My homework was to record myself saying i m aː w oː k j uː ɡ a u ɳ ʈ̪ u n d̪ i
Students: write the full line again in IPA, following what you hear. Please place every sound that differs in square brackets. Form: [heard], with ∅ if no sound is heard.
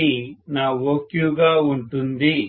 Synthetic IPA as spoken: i [n] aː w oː k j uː ɡ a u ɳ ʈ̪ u n d̪ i